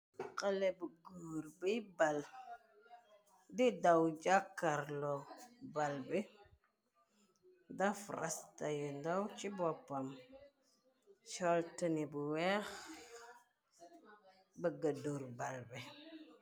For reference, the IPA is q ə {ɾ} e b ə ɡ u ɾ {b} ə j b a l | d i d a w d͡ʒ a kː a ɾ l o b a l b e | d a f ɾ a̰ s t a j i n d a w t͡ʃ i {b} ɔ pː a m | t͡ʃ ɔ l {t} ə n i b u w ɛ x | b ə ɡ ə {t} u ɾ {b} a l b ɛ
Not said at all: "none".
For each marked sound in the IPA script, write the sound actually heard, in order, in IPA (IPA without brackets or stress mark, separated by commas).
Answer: l, b, b, t, d, b